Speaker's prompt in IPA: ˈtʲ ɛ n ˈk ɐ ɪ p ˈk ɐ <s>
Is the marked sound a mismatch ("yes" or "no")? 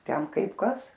no